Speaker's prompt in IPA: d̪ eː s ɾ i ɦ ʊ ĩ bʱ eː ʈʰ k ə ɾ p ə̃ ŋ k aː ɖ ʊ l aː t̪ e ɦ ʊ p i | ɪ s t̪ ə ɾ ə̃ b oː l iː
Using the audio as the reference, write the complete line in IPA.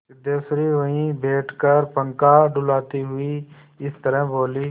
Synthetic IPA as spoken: d̪ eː s ɾ i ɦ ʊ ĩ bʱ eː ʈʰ k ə ɾ p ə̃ ŋ k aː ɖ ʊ l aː t̪ i ɦ ʊ i | ɪ s t̪ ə ɾ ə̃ b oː l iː